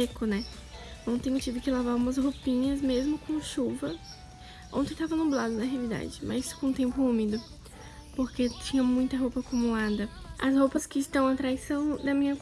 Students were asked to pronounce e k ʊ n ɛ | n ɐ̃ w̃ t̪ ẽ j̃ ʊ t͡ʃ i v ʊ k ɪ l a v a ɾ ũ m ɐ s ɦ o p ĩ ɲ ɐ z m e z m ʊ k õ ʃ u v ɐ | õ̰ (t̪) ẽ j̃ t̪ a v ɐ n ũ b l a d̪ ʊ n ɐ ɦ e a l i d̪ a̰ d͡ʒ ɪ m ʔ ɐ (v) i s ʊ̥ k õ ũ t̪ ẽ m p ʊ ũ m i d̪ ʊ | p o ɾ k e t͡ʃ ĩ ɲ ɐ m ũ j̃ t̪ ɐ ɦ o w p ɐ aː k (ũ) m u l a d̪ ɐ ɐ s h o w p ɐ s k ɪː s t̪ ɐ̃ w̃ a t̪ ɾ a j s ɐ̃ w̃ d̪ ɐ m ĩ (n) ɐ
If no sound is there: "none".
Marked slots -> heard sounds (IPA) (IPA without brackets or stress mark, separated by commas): t̪, z, u, ɲ